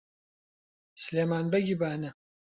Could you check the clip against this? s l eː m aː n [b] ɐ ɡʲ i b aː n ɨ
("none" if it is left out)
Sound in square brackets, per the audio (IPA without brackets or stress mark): b